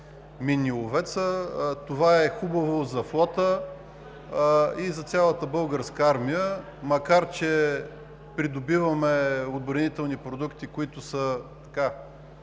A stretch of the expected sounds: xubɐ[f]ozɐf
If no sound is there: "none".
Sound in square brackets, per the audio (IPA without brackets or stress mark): v